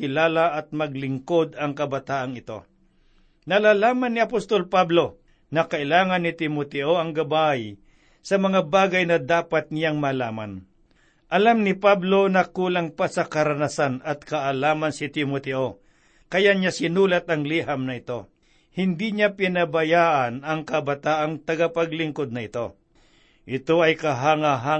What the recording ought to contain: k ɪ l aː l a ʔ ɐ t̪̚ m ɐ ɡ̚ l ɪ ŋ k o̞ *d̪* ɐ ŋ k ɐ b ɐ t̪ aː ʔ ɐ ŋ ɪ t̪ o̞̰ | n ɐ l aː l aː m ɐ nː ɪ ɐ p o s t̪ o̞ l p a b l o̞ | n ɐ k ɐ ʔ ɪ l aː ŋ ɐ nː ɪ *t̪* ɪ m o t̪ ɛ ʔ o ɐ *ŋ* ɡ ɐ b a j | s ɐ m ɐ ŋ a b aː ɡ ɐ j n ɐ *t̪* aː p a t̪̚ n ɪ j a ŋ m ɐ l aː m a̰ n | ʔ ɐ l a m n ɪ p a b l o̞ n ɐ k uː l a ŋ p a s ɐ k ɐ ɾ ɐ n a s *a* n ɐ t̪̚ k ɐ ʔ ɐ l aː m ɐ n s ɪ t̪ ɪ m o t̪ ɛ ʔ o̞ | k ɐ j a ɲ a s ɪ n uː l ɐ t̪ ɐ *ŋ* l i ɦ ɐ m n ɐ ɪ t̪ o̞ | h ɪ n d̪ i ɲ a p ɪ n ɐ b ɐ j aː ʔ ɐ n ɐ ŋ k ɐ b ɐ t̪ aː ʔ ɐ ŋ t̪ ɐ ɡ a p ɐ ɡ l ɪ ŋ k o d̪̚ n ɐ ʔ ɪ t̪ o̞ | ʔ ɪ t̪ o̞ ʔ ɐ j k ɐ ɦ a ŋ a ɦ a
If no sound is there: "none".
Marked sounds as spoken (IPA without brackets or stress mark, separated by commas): d̪, t̪, ŋ, d̪, a, ŋ